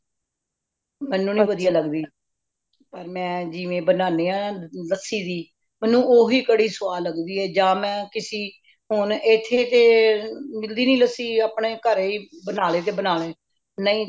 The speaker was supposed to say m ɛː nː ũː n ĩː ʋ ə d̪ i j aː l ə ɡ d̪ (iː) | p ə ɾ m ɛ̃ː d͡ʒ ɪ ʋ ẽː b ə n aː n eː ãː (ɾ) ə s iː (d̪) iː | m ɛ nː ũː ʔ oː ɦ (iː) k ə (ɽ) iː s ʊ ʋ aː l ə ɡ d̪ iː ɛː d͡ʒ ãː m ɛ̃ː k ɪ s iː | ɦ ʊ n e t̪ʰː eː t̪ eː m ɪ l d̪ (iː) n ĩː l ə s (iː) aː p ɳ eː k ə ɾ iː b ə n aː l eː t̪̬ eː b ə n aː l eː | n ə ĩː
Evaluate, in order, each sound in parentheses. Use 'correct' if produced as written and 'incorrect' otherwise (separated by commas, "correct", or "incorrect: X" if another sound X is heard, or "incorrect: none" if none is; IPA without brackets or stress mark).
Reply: correct, incorrect: l, correct, correct, correct, correct, correct